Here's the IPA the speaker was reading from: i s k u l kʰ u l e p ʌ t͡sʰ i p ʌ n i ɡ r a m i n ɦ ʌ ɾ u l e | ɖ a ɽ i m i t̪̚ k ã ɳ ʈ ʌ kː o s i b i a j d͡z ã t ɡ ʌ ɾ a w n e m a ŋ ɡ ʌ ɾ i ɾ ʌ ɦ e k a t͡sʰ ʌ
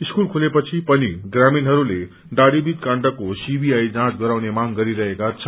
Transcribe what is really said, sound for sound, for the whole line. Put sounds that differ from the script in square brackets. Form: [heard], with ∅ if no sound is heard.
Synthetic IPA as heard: i s k u l kʰ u l e p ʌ t͡sʰ i p ʌ n i ɡ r a m i n ɦ ʌ ɾ u l e | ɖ a ɽ i [b] i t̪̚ k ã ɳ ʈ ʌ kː o s i b i a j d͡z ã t ɡ ʌ ɾ a w n e m a ŋ ɡ ʌ ɾ i ɾ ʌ ɦ e k a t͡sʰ ʌ